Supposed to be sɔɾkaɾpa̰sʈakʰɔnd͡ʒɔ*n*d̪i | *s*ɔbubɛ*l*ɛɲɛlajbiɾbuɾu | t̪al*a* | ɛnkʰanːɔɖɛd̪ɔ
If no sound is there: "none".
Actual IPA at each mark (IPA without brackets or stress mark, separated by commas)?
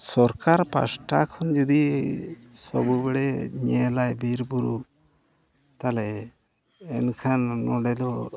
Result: none, s, ɽ, ɛ